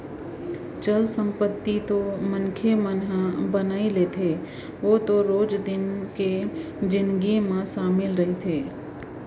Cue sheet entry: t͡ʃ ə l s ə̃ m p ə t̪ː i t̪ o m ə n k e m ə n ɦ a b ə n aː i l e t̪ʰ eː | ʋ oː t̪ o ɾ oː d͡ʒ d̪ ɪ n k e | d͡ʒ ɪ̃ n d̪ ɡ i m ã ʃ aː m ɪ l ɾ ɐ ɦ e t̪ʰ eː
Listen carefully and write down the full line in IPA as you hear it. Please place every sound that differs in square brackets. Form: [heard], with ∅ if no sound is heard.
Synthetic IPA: t͡ʃ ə l s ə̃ m p ə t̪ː i t̪ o m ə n [kʰ] e m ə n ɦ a b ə n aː i l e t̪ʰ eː | ʋ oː t̪ o ɾ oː d͡ʒ d̪ ɪ n k e | d͡ʒ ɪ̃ n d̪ ɡ i m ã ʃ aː m ɪ l ɾ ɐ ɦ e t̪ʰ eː